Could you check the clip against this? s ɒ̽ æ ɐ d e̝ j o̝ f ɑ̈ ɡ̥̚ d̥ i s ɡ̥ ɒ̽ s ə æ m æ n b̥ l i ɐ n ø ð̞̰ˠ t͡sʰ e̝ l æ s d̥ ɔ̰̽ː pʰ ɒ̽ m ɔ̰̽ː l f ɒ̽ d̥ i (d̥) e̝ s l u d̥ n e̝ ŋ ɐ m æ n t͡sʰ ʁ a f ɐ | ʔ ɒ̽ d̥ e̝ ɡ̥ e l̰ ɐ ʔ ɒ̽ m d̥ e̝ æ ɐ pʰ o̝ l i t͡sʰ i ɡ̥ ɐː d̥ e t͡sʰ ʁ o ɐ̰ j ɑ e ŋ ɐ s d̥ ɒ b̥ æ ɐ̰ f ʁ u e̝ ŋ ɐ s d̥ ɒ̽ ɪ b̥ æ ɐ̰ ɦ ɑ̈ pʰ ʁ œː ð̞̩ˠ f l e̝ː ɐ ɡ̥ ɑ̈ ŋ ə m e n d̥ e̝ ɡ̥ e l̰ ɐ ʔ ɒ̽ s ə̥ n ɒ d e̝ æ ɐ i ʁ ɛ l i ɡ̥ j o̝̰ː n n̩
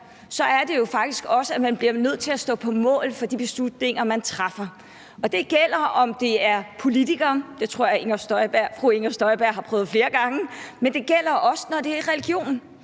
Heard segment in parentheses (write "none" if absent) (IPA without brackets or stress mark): b̥